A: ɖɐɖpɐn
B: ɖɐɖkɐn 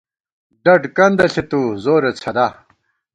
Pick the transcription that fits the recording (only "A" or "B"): B